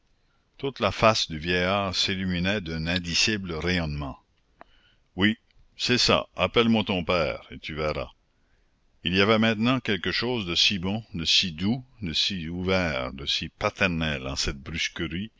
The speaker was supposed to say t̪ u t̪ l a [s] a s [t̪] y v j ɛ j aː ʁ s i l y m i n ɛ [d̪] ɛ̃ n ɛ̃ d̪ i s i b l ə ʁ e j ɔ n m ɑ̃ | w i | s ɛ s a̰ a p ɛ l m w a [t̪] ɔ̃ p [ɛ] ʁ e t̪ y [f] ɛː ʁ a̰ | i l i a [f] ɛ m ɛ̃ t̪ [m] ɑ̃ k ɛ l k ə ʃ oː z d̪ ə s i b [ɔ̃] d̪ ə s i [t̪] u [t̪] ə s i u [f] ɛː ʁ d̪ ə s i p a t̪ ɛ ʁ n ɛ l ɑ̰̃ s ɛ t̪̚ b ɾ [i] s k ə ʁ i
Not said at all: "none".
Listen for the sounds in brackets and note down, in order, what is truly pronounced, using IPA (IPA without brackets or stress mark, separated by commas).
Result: f, d̪, d̪, t̪, ɛː, v, v, n, ɔ̃, d̪, d̪, v, y